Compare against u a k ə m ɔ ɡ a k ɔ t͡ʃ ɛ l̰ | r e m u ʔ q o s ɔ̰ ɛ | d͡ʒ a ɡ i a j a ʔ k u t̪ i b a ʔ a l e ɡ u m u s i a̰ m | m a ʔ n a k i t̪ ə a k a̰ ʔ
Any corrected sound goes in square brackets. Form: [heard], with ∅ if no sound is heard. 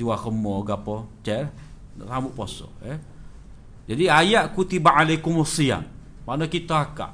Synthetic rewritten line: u a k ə m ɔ ɡ a [p] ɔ t͡ʃ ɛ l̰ | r [a] m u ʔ [p] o s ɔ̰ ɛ | d͡ʒ a [d] i a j a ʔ k u t̪ i b a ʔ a l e [k] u m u s i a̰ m | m a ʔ n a k i t̪ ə a k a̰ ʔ